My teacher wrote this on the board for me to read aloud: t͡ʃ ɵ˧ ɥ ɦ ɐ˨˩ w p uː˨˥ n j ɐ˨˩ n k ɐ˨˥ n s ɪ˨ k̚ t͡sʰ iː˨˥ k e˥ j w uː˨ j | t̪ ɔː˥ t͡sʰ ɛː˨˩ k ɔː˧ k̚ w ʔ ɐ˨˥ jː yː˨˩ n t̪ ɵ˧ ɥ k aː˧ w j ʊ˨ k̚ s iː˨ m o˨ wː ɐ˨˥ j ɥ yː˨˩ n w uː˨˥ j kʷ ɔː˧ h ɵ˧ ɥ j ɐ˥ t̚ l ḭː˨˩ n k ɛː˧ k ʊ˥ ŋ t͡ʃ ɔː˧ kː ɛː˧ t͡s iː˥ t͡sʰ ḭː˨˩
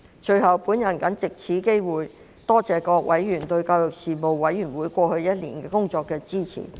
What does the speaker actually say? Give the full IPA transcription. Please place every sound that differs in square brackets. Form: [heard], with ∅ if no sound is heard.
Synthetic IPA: t͡ʃ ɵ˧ ɥ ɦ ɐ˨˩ w p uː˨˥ n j ɐ˨˩ n k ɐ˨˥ n [t͡s] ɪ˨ k̚ t͡sʰ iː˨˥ k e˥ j w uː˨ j | t̪ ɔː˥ [t͡s] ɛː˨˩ k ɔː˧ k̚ w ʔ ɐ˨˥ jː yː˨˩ n t̪ ɵ˧ ɥ k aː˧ w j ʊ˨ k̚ s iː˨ m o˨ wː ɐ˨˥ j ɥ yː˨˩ n w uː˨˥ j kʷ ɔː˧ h ɵ˧ ɥ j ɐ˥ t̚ l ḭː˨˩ n k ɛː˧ k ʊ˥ ŋ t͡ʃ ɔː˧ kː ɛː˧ t͡s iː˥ t͡sʰ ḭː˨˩